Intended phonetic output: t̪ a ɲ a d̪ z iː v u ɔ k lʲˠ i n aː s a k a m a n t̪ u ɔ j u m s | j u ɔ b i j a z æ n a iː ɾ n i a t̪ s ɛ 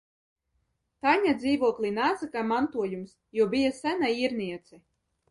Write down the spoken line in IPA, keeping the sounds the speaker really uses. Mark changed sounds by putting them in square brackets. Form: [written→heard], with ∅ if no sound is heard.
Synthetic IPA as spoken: t̪ a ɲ a d̪ z iː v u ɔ k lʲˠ i n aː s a k a m a n t̪ u ɔ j u m s | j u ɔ b i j a [z→s] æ n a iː ɾ n i [a→ɛ] t̪ s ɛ